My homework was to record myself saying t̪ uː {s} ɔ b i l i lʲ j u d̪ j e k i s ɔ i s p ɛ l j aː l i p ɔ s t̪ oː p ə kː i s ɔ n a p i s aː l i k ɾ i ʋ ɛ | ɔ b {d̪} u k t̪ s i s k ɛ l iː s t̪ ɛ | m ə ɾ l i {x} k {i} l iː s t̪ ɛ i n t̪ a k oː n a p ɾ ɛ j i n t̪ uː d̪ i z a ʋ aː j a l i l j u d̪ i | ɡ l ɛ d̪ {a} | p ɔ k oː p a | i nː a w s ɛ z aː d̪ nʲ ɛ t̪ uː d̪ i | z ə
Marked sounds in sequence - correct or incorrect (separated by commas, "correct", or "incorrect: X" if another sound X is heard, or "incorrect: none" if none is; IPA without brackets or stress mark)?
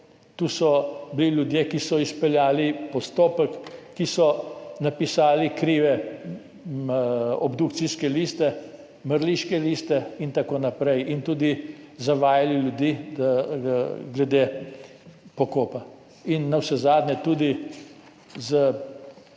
correct, correct, incorrect: ʃ, incorrect: ɛ, incorrect: e